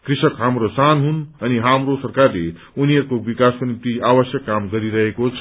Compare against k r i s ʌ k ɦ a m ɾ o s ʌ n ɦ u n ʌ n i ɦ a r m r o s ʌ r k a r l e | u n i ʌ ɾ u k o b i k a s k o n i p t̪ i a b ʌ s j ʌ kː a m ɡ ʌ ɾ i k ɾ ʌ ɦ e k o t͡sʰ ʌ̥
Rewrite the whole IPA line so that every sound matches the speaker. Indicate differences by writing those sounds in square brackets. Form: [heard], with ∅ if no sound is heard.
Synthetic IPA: k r i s ʌ k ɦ a m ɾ o s [a] n ɦ u n ʌ n i ɦ a [∅] m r o s ʌ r k a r l e | u n i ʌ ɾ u k o b i k a s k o n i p t̪ i a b ʌ s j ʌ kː a m ɡ ʌ ɾ i [∅] ɾ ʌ ɦ e k o t͡sʰ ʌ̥